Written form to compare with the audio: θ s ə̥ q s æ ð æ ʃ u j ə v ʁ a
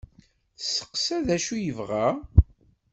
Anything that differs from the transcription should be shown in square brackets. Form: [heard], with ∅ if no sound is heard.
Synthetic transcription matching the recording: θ s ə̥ q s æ ð æ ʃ u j ə v ʁ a